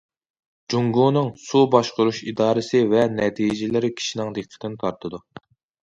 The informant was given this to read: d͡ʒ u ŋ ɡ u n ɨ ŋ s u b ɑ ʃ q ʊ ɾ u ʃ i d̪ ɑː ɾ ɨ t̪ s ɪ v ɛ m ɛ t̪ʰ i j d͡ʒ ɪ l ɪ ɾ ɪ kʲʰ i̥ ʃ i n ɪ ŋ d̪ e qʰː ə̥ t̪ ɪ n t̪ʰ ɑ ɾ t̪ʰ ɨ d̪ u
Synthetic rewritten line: d͡ʒ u ŋ ɡ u n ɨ ŋ s u b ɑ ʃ q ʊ ɾ u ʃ i d̪ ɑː ɾ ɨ s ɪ v ɛ n ɛ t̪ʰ i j d͡ʒ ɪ l ɪ ɾ ɪ kʲʰ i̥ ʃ i n ɪ ŋ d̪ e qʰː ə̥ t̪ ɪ n t̪ʰ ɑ ɾ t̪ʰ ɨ d̪ u